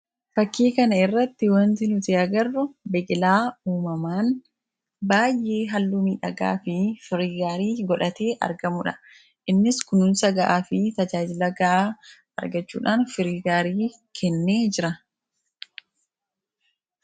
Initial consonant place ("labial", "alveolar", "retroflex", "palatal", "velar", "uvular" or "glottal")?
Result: labial